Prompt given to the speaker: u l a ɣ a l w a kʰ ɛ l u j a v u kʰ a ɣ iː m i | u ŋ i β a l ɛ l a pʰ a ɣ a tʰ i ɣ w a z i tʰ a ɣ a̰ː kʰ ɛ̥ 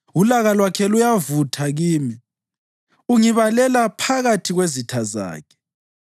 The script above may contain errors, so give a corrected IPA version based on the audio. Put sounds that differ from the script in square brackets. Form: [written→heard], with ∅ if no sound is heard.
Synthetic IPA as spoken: u l a ɣ a l w a kʰ ɛ l u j a v u [kʰ→tʰ] a ɣ iː m i | u ŋ i β a l ɛ l a pʰ a ɣ a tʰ i ɣ w [a→e] z i tʰ a [ɣ→z] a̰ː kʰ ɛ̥